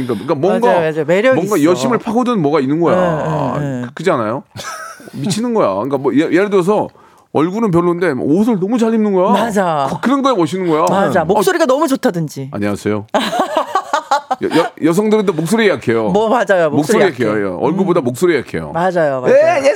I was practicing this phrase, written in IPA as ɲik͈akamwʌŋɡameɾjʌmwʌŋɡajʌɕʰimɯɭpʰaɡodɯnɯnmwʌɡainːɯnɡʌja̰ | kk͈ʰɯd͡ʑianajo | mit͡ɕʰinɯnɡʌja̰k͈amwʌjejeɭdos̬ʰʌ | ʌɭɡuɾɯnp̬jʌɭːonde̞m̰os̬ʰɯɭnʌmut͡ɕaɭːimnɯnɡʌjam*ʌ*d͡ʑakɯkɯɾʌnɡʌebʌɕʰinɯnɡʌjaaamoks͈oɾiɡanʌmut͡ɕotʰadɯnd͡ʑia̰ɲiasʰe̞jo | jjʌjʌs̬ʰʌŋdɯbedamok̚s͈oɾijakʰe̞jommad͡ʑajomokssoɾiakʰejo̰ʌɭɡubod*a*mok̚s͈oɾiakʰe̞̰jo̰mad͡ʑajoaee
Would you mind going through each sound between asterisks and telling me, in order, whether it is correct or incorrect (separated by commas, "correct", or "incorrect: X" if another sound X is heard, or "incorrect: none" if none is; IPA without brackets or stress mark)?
incorrect: a, correct